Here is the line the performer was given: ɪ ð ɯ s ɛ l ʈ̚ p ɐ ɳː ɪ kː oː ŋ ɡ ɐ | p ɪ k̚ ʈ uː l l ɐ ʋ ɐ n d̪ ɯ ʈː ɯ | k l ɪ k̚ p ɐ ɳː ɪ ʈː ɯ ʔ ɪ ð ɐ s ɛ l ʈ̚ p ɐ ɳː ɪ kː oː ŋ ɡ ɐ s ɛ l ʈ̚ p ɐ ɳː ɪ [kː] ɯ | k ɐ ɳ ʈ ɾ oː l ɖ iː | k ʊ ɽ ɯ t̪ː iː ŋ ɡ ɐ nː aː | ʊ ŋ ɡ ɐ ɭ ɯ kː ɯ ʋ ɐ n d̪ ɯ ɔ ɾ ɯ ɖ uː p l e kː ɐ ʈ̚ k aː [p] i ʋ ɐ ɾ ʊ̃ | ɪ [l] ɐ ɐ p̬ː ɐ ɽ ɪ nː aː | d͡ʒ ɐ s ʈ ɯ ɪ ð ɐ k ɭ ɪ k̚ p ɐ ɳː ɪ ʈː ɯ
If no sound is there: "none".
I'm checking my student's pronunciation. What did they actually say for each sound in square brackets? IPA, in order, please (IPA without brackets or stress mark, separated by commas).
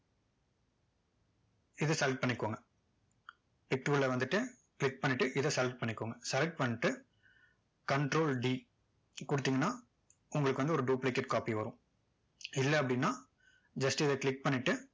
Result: ʈː, p, lː